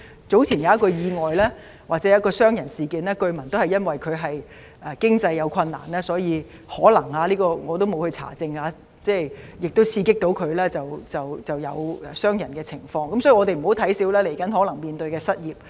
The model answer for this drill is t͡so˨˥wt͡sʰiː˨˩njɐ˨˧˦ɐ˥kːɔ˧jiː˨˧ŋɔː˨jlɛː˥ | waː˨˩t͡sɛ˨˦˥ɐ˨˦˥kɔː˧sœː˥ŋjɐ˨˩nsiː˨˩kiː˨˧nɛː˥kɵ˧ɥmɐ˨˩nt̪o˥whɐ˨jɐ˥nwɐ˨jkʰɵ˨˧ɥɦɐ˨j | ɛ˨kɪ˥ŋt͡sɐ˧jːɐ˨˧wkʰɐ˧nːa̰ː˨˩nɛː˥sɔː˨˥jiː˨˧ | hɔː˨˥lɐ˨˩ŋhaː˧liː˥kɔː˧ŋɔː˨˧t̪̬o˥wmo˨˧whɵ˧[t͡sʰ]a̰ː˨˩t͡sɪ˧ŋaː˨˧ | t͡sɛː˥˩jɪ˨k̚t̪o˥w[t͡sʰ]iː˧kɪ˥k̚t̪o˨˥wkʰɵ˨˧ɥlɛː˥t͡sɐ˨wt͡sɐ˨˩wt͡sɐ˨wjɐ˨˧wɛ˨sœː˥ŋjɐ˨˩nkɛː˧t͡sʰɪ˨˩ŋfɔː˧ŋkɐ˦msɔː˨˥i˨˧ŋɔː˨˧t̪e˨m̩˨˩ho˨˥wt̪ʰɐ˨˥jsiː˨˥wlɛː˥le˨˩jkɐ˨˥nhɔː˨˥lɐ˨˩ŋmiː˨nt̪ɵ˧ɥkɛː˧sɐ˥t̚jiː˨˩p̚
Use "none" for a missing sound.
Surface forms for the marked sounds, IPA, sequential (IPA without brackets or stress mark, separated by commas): t͡sʰ, t͡sʰ